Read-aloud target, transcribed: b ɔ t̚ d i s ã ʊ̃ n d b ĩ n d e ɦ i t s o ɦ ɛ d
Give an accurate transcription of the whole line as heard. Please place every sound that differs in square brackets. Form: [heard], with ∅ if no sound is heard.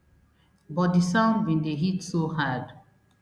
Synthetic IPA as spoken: b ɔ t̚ d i s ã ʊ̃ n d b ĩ n d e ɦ i t s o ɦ [a] d